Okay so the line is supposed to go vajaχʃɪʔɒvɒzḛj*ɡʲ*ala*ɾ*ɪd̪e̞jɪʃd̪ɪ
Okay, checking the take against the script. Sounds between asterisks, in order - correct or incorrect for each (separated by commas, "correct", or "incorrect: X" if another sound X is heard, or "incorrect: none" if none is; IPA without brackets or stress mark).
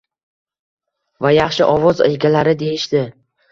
correct, correct